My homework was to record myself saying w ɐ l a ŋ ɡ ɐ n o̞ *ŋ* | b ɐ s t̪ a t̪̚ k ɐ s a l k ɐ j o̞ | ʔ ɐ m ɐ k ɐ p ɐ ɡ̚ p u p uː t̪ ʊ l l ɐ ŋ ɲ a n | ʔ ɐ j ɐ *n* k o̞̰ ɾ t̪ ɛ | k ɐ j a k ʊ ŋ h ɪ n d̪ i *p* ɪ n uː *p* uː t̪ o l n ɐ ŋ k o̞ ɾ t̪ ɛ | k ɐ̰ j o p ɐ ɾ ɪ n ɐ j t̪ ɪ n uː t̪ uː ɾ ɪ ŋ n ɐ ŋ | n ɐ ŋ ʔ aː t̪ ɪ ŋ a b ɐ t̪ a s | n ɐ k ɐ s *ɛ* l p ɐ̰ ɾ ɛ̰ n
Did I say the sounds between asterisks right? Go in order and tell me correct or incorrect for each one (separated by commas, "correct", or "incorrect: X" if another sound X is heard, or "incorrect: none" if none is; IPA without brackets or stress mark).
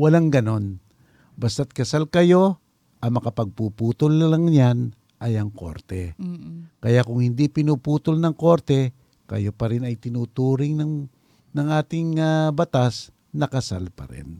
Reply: incorrect: n, incorrect: ŋ, correct, correct, incorrect: a